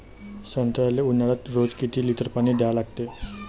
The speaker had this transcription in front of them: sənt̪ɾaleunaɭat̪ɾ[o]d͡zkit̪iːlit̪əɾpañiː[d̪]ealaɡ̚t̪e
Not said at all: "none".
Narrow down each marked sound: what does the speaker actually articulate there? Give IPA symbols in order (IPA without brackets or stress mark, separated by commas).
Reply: o, d̪